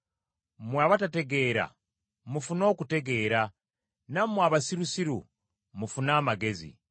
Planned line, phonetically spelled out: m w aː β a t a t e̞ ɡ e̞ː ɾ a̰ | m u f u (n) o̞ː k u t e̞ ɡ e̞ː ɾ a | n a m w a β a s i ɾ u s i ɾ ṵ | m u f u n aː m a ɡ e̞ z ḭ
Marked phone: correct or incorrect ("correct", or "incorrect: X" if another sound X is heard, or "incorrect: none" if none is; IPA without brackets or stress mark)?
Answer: correct